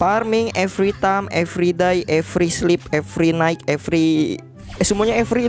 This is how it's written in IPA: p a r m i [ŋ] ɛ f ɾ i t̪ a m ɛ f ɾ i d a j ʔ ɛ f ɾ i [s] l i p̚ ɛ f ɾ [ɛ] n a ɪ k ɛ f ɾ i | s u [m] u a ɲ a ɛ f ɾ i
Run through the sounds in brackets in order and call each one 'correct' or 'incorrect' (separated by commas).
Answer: correct, correct, incorrect, correct